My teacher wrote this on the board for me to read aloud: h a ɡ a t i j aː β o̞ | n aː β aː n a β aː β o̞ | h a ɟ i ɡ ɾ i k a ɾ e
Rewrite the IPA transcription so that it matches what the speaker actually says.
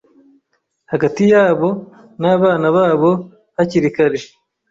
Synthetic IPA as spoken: h a ɡ a t i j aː β o̞ | n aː β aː n a β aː β o̞ | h a c i ɾ i k a ɾ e

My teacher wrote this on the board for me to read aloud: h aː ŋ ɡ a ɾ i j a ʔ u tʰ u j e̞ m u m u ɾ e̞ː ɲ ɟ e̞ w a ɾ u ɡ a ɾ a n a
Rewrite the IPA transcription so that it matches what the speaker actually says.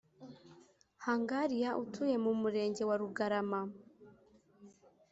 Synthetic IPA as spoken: h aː ŋ ɡ a ɾ i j a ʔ u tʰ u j e̞ m u m u ɾ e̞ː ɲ ɟ e̞ w a ɾ u ɡ a ɾ a m a

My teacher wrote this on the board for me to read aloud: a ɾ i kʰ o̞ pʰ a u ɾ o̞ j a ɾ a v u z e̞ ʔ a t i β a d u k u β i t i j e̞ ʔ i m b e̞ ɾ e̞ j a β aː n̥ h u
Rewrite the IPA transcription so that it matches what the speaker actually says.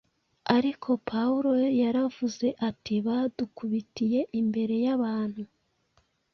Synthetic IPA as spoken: a ɾ i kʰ o̞ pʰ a u ɾ o̞ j a ɾ a v u z e̞ ʔ a t i β a d u k u β i t i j e̞ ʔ i m b e̞ ɾ e̞ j a β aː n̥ h u

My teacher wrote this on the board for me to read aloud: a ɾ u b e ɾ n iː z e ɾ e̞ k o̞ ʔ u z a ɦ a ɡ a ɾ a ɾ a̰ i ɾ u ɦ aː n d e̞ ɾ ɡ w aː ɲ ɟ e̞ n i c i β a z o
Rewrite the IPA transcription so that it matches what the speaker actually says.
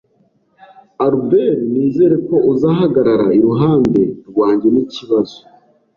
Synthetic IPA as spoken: a ɾ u b e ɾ n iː z e ɾ e̞ k o̞ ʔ u z a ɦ a ɡ a ɾ a ɾ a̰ i ɾ u ɦ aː n d e̞ ɾ ɡ w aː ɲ ɟ e̞ n i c i β a z o

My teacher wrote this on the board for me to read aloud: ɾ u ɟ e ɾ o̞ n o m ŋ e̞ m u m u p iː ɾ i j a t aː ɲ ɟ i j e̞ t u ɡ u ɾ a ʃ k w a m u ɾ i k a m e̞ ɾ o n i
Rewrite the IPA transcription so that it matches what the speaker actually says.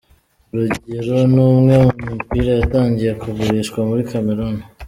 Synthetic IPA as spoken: ɾ u ɟ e ɾ o̞ n u m ŋ e̞ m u m u p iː ɾ a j a t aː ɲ ɟ i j e̞ k u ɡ u ɾ i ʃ k w a m u ɾ i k a m e̞ ɾ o n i

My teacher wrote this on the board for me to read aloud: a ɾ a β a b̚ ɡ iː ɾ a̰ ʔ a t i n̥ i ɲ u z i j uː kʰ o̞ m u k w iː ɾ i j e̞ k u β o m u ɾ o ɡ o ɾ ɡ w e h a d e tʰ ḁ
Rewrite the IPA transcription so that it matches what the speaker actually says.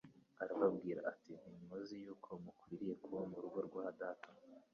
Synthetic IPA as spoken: a ɾ a β a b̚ ɡ iː ɾ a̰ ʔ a t i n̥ i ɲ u z i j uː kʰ o̞ m u k w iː ɾ i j e̞ k u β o m u ɾ u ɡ o ɾ ɡ w a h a d a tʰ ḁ

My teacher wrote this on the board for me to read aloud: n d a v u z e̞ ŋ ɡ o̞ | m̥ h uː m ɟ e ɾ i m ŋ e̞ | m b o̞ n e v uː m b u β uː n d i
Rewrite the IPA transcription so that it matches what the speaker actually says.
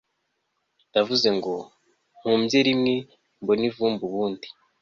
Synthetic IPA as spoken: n d a v u z e̞ ŋ ɡ o̞ | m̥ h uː m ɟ e ɾ i m ŋ e̞ | m b o̞ n i v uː m b u β uː n d i

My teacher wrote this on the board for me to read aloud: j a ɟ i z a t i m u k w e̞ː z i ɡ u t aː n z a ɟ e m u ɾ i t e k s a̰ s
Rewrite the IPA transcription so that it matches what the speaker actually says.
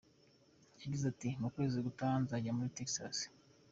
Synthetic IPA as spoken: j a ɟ i z a t i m u k w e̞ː z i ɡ u t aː n z a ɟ a m u ɾ i t e k s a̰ s

